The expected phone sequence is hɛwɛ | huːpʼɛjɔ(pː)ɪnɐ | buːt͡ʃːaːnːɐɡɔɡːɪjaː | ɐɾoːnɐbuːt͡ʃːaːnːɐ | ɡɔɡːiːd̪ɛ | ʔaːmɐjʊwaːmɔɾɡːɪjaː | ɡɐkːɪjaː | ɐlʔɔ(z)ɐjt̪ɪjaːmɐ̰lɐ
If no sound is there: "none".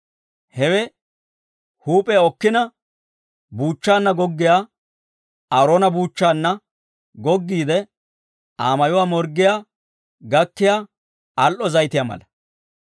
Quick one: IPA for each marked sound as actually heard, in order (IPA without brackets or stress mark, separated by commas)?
kː, z